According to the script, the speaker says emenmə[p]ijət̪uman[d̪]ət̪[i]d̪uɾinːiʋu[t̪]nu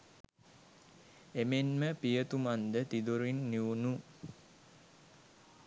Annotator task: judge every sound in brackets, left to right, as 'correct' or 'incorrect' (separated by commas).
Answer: correct, correct, correct, incorrect